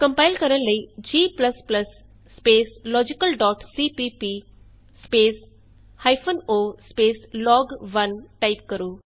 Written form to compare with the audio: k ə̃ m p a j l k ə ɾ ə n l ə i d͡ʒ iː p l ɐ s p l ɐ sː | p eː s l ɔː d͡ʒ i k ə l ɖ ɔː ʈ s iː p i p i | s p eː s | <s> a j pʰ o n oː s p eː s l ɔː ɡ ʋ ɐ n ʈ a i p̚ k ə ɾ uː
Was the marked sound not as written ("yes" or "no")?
yes